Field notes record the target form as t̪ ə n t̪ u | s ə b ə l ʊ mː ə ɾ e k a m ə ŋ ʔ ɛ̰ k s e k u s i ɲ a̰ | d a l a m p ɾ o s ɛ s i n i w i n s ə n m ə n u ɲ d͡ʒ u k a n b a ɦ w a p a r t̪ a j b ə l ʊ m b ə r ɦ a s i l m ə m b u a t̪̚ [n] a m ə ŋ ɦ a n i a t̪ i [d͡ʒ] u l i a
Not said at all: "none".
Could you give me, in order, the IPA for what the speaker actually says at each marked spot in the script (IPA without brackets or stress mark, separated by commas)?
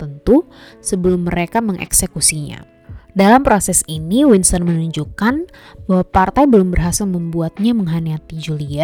ɲ, d͡ʒ